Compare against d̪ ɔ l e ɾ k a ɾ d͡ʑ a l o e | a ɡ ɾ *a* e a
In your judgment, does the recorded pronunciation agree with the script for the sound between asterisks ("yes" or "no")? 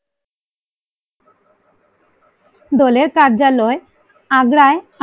yes